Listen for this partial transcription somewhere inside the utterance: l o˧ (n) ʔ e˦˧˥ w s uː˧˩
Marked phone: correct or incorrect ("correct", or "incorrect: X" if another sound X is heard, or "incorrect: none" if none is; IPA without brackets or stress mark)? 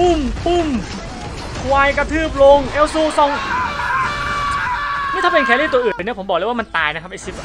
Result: incorrect: ŋ